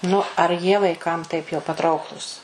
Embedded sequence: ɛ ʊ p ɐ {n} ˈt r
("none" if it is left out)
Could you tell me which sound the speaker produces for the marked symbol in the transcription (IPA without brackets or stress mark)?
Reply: none